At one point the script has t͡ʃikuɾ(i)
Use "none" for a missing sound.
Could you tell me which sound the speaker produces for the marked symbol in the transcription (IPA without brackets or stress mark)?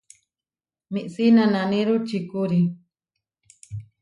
i